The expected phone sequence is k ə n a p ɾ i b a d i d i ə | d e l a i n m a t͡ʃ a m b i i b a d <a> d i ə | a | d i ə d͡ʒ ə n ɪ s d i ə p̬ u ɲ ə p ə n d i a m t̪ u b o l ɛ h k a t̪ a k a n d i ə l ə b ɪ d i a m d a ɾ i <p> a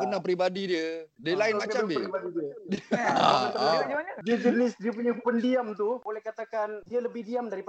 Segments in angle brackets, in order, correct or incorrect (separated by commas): incorrect, correct